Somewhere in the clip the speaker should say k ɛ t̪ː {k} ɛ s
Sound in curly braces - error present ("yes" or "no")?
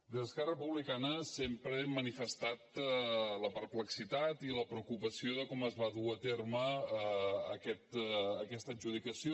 no